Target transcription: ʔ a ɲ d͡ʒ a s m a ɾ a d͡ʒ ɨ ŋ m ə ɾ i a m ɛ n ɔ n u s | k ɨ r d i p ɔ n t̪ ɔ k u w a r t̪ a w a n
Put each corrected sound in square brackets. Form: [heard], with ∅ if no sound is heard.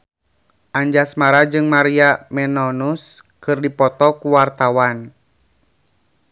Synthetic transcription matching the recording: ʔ a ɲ d͡ʒ a s m a ɾ a d͡ʒ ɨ ŋ m [a] ɾ i a m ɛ n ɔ n u s | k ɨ r d i p ɔ [∅] t̪ ɔ k u w a r t̪ a w a n